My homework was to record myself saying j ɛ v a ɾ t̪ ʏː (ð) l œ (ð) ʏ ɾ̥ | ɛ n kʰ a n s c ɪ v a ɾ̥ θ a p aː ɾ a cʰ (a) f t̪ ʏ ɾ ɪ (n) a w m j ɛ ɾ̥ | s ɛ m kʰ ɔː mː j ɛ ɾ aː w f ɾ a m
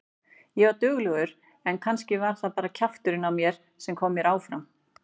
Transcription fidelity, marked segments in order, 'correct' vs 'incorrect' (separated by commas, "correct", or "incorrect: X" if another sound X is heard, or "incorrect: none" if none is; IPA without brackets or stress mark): incorrect: ɣ, incorrect: ɣ, correct, correct